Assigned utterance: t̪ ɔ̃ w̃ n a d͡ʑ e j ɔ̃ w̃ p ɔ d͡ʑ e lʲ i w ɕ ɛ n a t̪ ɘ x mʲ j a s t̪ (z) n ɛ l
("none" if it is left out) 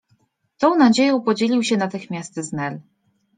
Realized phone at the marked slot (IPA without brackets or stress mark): z